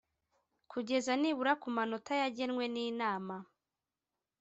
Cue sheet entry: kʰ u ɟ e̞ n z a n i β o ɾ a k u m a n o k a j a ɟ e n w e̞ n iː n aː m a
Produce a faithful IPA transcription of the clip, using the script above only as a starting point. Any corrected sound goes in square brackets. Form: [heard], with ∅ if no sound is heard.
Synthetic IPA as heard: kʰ u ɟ e̞ [∅] z a n i β [u] ɾ a k u m a n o [t] a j a ɟ e n w e̞ n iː n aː m a